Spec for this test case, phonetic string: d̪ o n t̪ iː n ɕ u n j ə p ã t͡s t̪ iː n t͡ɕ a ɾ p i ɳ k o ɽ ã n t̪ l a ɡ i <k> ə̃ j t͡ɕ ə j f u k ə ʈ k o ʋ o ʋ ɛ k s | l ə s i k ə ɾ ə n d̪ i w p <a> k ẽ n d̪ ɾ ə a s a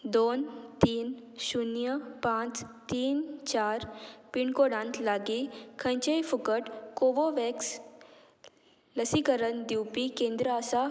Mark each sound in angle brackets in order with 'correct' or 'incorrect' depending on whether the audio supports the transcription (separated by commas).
incorrect, incorrect